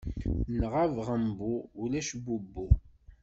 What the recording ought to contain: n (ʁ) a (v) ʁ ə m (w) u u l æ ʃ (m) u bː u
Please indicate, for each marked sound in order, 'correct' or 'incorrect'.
correct, correct, incorrect: b, incorrect: b

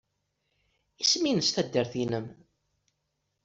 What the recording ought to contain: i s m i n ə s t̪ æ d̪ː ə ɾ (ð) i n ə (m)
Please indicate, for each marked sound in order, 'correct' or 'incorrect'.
incorrect: θ, correct

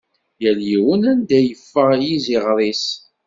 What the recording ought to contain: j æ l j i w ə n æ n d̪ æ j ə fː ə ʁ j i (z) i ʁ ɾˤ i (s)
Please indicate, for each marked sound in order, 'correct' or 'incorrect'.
correct, correct

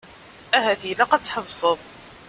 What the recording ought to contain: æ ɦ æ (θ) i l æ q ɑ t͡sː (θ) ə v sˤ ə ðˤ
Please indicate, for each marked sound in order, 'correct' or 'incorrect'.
correct, incorrect: ħ

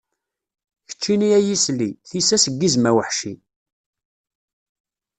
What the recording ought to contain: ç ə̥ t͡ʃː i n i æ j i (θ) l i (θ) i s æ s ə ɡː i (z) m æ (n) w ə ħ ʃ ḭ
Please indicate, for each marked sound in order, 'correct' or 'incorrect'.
incorrect: s, correct, correct, incorrect: none

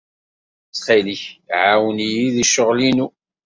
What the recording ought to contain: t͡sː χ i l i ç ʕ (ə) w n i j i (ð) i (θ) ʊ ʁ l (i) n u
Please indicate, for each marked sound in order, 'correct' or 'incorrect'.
incorrect: a, correct, incorrect: ʃ, correct

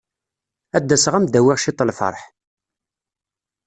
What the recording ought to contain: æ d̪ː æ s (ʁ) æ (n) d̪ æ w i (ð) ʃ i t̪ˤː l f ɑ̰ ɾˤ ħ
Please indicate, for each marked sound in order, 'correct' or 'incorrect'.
correct, incorrect: m, incorrect: ʁ

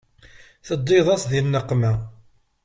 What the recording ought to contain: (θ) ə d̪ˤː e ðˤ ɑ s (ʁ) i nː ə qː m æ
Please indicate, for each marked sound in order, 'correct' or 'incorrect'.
correct, incorrect: ð

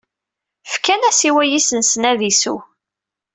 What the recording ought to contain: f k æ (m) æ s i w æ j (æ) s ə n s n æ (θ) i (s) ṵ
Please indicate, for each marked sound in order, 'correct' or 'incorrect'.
incorrect: n, incorrect: i, incorrect: ð, correct

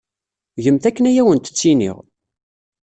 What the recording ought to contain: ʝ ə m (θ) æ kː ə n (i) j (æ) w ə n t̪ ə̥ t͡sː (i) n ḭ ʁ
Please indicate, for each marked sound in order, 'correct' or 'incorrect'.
correct, incorrect: æ, correct, correct

